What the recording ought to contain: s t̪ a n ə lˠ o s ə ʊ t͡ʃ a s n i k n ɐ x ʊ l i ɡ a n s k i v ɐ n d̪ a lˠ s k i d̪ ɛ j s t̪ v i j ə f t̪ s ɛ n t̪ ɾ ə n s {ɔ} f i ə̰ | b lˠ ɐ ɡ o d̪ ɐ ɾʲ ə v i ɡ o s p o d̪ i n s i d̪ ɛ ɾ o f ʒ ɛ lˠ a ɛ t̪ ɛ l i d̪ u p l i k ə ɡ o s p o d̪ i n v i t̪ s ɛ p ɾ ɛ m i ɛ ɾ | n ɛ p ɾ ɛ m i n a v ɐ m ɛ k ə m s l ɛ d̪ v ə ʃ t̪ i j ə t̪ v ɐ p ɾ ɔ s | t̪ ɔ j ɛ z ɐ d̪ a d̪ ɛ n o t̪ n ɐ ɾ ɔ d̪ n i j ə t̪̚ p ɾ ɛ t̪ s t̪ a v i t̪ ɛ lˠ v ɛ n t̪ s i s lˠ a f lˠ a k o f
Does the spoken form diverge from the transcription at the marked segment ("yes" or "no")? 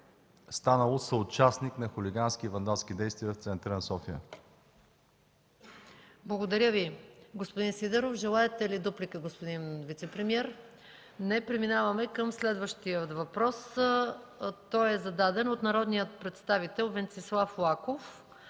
no